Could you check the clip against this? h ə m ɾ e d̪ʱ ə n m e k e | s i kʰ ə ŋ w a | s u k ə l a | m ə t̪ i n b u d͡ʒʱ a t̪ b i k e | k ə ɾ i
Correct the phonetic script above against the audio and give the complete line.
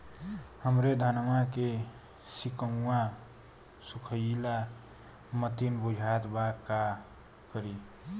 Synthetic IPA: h ə m ɾ e d̪ʱ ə n m a k e | s i k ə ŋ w a | s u kʰ ə l a | m ə t̪ i n b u d͡ʒʱ a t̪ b a k a | k ə ɾ i